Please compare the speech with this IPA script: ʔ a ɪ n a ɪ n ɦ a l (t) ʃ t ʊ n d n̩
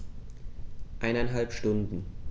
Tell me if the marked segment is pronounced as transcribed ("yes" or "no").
no